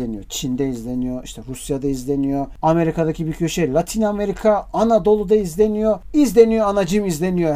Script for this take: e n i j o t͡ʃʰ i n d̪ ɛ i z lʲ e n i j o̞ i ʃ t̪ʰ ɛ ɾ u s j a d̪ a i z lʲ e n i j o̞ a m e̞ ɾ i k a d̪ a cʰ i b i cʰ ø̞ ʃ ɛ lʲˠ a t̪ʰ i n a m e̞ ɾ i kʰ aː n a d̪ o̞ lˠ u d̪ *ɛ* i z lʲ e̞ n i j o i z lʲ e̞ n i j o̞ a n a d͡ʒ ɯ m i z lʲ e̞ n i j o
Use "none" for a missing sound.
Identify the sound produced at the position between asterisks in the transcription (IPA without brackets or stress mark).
a